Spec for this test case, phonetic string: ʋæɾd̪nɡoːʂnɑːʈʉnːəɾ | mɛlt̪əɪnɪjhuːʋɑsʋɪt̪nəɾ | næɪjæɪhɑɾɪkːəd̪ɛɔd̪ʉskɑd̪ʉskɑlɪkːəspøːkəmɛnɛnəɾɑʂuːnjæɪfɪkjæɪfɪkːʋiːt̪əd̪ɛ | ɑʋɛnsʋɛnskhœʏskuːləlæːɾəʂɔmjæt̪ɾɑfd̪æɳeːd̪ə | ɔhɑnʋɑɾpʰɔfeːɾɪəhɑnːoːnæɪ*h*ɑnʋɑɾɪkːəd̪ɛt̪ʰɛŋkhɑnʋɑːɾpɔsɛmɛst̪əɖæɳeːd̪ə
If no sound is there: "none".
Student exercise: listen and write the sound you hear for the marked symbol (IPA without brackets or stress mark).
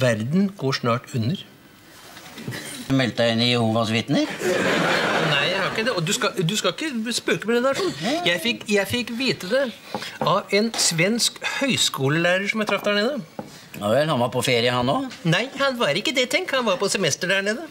h